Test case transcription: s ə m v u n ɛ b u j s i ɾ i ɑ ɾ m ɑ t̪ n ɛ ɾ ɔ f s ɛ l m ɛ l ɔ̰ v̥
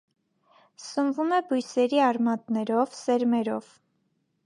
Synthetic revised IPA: s ə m v u m ɛ b u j s ɛ ɾ i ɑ ɾ m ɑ t̪ n ɛ ɾ ɔ v s ɛ ɾ m ɛ ɾ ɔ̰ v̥